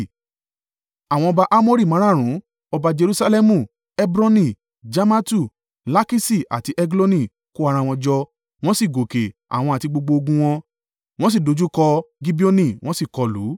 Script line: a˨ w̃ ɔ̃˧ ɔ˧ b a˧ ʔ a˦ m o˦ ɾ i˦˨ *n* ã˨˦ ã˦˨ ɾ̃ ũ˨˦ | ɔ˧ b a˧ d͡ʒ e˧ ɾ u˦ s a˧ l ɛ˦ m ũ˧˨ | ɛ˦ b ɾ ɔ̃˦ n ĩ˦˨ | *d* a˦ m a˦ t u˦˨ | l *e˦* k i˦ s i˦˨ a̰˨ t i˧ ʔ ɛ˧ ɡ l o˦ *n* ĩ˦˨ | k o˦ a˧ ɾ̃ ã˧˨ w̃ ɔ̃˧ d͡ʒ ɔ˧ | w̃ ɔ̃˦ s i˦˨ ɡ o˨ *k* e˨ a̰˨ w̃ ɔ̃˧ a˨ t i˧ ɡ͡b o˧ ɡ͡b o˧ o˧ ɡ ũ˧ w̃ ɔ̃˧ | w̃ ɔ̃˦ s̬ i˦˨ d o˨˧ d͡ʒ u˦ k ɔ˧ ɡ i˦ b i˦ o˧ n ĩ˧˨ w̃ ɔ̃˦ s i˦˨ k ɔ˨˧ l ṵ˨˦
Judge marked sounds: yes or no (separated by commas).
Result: no, no, no, yes, yes